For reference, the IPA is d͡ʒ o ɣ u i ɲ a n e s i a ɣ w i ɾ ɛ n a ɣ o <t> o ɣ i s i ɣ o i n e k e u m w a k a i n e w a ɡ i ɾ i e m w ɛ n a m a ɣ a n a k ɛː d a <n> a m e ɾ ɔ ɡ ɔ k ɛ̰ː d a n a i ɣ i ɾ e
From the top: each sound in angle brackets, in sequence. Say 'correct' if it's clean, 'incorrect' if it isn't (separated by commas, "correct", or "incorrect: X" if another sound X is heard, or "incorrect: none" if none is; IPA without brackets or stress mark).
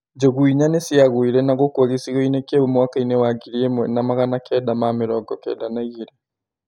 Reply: incorrect: k, incorrect: m